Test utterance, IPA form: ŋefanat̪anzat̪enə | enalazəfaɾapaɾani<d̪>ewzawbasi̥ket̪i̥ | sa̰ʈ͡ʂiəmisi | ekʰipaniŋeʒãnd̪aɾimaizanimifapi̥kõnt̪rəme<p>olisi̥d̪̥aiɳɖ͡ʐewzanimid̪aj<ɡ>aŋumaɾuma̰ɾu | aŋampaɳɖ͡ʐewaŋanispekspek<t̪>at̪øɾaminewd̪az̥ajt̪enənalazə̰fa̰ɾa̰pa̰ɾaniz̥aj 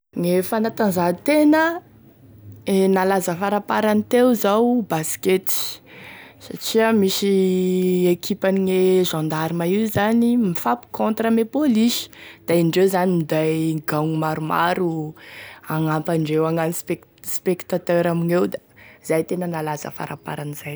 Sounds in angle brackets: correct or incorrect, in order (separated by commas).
incorrect, correct, correct, correct